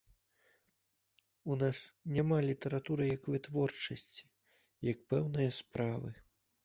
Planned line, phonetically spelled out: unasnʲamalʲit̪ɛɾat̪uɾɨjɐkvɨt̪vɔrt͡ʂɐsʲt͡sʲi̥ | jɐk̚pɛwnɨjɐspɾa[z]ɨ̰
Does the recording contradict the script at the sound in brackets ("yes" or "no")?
yes